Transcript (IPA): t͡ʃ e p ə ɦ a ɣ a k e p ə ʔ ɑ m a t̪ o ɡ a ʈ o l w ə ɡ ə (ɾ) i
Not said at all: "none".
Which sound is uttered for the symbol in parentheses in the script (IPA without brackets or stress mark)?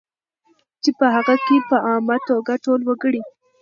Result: ɽ